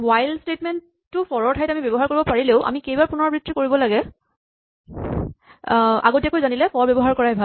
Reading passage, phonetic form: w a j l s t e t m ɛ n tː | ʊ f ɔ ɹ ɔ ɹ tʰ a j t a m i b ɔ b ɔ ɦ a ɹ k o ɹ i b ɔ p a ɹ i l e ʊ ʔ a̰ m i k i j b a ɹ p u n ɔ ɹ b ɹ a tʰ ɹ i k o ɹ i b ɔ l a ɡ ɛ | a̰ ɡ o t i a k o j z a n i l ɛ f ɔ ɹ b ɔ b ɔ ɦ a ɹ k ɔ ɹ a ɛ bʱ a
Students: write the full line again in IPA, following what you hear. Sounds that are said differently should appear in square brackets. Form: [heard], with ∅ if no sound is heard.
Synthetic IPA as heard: w a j l s t e t m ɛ n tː | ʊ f ɔ ɹ ɔ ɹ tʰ a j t a m i b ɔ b ɔ ɦ a ɹ k o ɹ i b ɔ p a ɹ i l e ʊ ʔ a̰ m i k [e] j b a ɹ p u n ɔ ɹ b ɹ [i] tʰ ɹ i k o ɹ i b ɔ l a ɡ ɛ | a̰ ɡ o t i a k o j z a n i l ɛ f ɔ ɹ b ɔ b ɔ ɦ a ɹ k ɔ ɹ a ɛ bʱ a